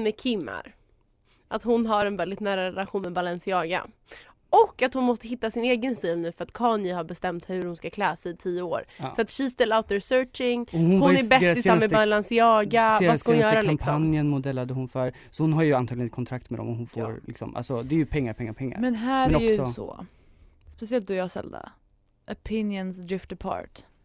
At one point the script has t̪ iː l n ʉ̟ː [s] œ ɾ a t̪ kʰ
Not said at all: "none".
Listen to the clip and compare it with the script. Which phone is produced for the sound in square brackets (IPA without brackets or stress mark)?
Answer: f